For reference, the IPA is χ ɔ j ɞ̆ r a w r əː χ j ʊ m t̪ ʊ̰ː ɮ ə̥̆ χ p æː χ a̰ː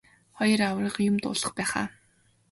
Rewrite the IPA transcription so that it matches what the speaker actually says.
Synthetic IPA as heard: χ ɔ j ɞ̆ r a w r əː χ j ʊ m t̪ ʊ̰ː ɮ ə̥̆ χ p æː χ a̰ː